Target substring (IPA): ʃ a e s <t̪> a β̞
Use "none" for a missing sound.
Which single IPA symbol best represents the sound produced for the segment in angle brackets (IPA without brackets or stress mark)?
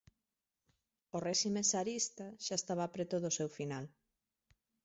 t̪